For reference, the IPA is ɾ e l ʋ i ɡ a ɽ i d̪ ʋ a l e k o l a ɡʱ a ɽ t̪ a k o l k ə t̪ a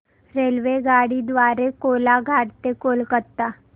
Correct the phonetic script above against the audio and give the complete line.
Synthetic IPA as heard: ɾ e l ʋ e ɡ a ɽ i d̪ ʋ a ɾ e k o l a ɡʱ a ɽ t̪ e k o l k ə t̪ a